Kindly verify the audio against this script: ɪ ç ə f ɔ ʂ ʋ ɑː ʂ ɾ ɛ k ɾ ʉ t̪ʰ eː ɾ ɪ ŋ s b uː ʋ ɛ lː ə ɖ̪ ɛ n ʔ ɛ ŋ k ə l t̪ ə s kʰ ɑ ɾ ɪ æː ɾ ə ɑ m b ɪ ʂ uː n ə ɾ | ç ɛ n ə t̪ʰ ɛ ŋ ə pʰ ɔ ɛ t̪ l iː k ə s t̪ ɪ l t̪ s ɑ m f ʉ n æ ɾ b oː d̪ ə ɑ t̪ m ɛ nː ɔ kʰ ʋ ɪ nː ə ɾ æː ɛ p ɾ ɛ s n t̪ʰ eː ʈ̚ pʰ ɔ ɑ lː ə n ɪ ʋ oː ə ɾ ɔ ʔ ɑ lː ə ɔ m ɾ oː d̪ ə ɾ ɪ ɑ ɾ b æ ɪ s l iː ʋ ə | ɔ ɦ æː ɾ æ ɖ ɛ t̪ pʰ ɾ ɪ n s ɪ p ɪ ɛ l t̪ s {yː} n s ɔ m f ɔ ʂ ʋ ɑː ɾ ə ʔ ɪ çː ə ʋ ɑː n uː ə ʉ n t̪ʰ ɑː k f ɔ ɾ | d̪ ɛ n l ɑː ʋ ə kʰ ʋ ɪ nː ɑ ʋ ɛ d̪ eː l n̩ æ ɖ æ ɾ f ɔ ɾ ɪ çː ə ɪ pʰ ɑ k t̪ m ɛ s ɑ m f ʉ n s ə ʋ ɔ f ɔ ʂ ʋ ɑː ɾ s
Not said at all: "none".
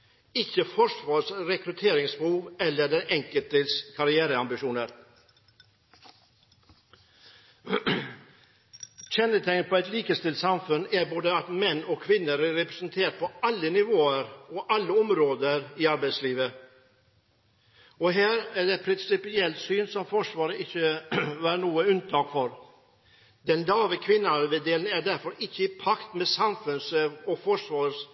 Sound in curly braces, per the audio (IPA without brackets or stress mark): yː